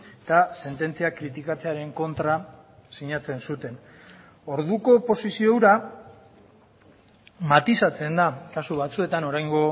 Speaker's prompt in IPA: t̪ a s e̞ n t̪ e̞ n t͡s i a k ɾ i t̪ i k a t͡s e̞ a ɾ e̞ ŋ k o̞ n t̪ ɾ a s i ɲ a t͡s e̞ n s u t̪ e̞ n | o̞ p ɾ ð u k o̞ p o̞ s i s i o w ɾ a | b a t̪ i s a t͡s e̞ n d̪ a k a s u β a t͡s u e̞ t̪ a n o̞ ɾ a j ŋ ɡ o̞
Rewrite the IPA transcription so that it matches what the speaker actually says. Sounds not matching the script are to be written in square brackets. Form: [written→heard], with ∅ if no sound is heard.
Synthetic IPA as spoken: t̪ a s e̞ n t̪ e̞ n t͡s i a k ɾ i t̪ i k a t͡s e̞ a ɾ e̞ ŋ k o̞ n t̪ ɾ a s i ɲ a t͡s e̞ n s u t̪ e̞ n | o̞ [p→∅] ɾ ð u k o̞ p o̞ s i s i o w ɾ a | [b→m] a t̪ i s a t͡s e̞ n d̪ a k a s u β a t͡s u e̞ t̪ a n o̞ ɾ a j ŋ ɡ o̞